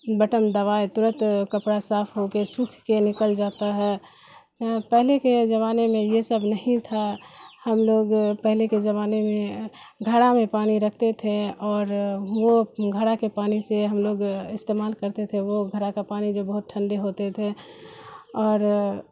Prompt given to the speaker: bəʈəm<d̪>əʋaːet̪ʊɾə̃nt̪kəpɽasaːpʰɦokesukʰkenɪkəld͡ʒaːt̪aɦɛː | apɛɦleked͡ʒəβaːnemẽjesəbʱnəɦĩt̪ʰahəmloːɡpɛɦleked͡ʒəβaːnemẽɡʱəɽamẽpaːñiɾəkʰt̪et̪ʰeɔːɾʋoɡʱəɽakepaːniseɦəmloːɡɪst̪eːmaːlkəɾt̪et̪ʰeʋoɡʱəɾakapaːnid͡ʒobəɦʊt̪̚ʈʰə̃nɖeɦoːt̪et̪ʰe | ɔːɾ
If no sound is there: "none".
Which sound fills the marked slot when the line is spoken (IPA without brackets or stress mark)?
d̪